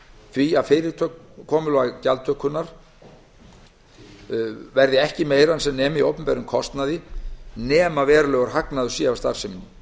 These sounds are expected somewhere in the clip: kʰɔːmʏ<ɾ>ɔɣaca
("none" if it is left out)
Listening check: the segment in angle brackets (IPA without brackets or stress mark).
l